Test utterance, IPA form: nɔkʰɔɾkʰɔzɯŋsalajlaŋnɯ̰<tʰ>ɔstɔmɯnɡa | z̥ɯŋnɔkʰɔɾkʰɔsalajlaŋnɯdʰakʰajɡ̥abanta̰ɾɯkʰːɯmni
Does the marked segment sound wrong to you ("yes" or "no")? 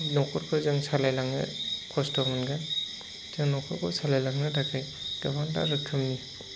yes